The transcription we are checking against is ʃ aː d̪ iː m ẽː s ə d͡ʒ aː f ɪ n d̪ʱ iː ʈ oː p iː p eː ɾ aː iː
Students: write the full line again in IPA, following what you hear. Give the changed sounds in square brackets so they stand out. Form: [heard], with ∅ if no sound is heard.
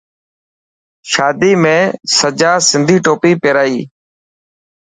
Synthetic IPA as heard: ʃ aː d̪ iː m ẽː s ə d͡ʒ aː [s] ɪ n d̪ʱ iː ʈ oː p iː p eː ɾ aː iː